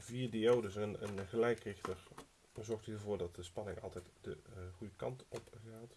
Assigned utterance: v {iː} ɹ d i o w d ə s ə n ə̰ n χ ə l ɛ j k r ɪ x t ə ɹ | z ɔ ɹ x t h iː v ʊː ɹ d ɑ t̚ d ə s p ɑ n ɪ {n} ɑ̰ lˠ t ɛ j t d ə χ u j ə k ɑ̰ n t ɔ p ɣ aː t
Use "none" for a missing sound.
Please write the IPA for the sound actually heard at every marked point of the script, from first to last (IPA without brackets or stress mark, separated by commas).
iː, ŋ